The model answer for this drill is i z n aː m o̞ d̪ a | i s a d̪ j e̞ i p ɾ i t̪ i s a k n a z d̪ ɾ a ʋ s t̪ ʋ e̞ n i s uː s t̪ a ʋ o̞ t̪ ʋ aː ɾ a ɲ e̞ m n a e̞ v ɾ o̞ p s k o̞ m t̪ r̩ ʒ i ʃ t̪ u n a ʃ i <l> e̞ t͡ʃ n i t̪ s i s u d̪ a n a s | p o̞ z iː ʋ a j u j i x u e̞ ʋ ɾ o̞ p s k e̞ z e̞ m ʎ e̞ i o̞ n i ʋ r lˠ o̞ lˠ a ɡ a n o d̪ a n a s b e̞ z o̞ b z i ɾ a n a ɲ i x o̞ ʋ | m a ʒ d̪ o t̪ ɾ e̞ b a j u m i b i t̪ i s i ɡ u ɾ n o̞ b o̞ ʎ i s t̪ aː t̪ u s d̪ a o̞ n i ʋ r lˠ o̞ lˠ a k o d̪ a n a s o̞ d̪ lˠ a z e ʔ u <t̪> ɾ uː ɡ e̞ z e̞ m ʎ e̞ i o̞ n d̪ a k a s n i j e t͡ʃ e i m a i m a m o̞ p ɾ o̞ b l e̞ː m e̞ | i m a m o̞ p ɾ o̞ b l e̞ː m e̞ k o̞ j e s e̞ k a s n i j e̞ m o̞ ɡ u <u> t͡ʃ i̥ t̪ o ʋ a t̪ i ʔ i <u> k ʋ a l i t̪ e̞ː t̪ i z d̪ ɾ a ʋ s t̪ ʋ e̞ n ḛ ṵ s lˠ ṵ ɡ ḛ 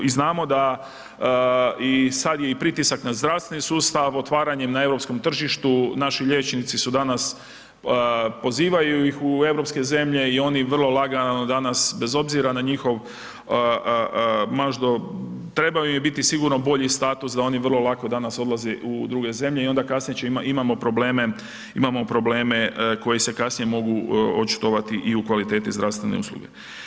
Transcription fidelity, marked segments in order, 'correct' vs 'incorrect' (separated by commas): incorrect, incorrect, incorrect, correct